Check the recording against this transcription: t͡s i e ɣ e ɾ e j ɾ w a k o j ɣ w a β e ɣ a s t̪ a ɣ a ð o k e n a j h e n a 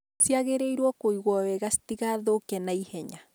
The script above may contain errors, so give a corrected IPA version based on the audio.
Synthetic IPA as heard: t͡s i a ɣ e ɾ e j ɾ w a k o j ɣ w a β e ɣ a s t̪ i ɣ a ð o k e n a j h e ɲ a